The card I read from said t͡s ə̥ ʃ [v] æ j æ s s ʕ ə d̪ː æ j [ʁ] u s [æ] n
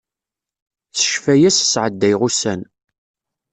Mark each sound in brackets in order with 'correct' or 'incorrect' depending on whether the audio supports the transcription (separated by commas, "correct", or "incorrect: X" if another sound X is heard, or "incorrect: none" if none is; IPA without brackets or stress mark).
incorrect: f, correct, correct